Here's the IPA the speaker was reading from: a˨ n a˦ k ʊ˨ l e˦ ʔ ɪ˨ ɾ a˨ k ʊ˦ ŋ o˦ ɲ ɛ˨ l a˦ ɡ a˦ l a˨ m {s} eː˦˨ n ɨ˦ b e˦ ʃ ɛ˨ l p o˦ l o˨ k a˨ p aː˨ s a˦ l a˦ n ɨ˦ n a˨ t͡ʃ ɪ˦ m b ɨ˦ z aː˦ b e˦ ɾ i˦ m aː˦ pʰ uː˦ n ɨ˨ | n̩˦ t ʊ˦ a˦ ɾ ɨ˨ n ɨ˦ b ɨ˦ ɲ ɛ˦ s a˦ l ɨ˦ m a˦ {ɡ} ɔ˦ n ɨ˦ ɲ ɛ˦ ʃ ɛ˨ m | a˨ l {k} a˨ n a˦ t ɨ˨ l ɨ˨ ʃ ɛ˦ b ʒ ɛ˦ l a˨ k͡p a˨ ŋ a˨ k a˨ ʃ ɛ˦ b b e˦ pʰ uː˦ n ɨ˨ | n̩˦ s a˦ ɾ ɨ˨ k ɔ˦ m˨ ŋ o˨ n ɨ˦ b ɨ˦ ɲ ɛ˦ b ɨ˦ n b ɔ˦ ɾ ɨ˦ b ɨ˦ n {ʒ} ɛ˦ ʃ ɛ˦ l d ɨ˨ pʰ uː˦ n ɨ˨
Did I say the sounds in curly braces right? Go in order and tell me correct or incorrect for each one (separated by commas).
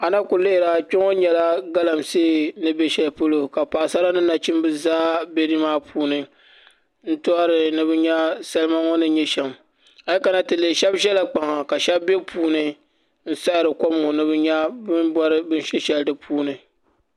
correct, incorrect, correct, incorrect